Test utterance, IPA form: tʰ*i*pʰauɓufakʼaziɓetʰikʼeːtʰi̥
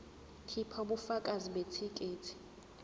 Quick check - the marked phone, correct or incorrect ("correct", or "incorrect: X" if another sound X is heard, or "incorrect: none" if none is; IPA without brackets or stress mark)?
correct